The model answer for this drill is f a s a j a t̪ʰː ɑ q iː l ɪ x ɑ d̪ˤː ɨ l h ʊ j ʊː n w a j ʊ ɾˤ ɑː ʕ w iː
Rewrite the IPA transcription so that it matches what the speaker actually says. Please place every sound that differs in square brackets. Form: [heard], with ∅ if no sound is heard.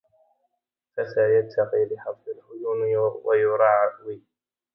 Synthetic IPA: f a s a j a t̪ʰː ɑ q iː l ɪ [ħ] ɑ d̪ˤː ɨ l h ʊ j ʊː n w a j ʊ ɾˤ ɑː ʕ w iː